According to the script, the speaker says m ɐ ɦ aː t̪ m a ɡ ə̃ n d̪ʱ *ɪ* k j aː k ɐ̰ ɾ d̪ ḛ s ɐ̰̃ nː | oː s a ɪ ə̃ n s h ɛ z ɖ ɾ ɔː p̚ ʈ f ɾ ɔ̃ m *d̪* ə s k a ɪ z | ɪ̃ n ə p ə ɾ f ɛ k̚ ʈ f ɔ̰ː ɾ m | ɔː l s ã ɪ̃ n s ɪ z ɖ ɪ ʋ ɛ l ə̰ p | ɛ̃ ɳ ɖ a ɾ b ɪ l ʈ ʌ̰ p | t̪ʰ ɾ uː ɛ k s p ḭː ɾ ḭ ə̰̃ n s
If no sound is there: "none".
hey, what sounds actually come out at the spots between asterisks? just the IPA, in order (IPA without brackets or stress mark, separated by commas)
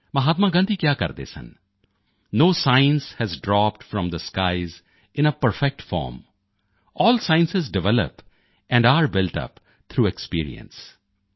i, d̪